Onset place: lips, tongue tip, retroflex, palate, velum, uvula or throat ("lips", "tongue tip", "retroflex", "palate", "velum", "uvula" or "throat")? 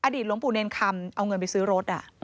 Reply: throat